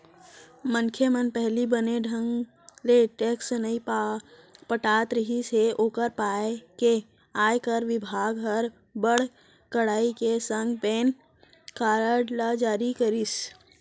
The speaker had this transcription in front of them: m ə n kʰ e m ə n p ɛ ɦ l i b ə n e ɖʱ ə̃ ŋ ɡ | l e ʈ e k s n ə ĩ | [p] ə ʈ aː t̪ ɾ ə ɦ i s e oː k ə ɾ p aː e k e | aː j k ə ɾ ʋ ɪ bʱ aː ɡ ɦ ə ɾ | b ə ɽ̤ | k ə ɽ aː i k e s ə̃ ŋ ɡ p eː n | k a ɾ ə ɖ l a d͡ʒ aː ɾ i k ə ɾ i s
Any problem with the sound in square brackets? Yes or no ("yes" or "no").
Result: no